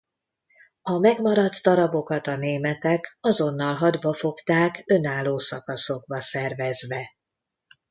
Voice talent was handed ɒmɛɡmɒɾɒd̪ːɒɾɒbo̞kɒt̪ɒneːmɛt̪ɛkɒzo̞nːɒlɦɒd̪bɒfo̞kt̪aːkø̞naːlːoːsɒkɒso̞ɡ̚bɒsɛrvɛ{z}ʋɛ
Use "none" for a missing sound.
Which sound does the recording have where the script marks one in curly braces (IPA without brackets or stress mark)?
z